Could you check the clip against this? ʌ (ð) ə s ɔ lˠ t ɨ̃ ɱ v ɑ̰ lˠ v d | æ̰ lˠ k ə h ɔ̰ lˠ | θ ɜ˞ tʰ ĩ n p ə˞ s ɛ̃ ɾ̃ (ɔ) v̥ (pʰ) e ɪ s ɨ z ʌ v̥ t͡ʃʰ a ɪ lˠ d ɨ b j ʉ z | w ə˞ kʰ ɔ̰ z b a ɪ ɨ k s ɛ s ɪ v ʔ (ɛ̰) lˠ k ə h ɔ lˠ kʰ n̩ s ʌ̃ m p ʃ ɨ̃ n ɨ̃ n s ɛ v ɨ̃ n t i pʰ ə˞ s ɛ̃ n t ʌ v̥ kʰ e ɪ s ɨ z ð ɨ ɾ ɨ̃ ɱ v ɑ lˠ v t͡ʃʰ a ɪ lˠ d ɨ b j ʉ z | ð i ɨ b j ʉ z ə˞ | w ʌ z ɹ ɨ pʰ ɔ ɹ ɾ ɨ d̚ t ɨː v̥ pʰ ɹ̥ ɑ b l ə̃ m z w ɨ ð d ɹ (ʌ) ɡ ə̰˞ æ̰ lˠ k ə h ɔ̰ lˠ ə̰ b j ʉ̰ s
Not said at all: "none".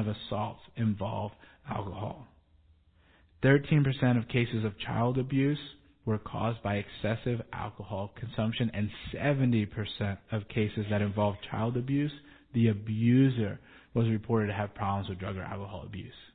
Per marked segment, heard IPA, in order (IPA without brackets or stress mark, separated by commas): v, ʌ, kʰ, æ̰, ʌ